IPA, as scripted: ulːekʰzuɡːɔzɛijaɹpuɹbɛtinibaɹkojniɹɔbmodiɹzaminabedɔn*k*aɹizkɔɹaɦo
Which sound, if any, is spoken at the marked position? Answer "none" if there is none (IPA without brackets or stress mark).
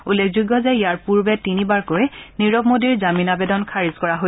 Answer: kʰ